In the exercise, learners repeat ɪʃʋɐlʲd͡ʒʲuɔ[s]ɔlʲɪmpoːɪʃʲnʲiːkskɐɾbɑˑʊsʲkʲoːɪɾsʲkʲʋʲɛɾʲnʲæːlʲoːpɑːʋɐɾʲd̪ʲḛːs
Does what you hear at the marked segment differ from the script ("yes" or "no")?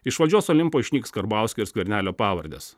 no